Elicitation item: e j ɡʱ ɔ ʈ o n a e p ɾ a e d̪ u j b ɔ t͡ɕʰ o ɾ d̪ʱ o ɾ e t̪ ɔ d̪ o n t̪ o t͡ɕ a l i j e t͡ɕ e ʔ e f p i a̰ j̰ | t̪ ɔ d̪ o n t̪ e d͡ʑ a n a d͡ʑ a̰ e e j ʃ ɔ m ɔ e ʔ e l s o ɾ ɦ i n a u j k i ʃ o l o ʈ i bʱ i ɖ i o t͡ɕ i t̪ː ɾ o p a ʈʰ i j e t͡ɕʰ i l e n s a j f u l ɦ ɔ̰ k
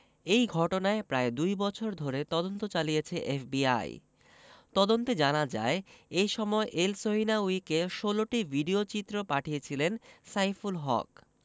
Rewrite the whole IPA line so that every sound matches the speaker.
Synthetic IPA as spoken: e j ɡʱ ɔ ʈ o n a e p ɾ a e d̪ u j b ɔ t͡ɕʰ o ɾ d̪ʱ o ɾ e t̪ ɔ d̪ o n t̪ o t͡ɕ a l i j e t͡ɕʰ e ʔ e f b i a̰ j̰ | t̪ ɔ d̪ o n t̪ e d͡ʑ a n a d͡ʑ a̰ e e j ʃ ɔ m ɔ e ʔ e l s o ɦ i n a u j k e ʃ o l o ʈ i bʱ i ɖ i o t͡ɕ i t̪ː ɾ o p a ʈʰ i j e t͡ɕʰ i l e n s a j f u l ɦ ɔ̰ k